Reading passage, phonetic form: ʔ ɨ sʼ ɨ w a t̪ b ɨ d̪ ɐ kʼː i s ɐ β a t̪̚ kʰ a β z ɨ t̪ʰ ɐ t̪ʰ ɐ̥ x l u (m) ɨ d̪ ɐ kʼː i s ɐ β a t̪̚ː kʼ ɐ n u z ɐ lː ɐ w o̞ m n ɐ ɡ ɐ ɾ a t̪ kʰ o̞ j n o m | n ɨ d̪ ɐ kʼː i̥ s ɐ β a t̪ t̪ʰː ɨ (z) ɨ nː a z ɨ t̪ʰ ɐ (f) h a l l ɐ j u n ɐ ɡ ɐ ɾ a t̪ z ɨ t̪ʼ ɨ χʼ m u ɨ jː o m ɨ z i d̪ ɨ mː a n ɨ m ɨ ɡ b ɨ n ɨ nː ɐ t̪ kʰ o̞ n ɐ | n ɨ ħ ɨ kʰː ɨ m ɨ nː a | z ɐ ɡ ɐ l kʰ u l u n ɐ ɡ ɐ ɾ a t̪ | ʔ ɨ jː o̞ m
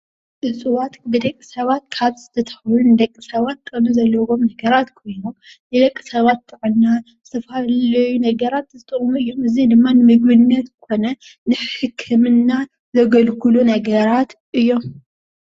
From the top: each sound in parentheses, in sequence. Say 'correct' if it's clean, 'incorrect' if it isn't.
incorrect, incorrect, correct

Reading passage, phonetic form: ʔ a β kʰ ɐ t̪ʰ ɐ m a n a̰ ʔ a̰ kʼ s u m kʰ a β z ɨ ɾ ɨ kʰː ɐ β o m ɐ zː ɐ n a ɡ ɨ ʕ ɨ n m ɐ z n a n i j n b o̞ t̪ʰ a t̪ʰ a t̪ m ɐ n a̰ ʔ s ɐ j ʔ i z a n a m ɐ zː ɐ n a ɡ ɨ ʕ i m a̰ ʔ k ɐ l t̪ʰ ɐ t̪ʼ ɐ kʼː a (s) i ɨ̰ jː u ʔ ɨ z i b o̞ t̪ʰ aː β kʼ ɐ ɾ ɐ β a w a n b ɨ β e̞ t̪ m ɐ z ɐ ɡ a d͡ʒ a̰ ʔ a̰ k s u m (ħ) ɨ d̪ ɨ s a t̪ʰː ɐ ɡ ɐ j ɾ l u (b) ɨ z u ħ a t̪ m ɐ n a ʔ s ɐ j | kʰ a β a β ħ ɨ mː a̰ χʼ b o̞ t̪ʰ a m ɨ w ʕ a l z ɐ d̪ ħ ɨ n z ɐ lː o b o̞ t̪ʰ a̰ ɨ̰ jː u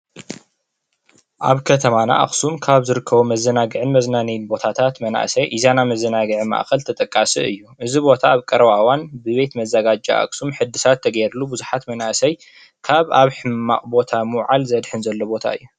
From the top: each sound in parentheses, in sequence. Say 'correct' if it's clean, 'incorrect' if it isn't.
correct, correct, correct

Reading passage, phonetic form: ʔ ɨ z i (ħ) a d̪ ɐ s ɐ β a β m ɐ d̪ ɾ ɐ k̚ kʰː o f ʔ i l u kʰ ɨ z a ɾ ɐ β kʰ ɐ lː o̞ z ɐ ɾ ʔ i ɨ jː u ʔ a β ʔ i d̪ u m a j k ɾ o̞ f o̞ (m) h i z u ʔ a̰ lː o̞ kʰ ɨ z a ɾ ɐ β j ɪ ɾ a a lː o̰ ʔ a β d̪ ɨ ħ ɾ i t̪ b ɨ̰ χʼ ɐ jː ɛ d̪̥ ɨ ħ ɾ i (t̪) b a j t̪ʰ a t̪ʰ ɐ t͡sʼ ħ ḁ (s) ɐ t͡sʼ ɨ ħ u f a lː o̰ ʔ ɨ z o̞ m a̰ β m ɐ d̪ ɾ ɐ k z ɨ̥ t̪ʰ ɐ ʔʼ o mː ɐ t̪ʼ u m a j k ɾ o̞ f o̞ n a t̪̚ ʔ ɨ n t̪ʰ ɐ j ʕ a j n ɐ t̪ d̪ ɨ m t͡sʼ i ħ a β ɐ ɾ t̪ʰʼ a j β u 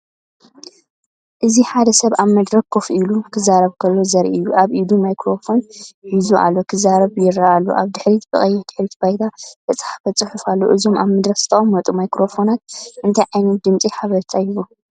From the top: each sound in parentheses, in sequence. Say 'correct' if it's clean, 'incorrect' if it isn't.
correct, incorrect, correct, incorrect

